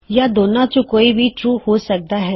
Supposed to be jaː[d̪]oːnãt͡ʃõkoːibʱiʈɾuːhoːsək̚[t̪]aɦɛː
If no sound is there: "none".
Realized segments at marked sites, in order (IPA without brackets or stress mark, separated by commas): d̪, d̪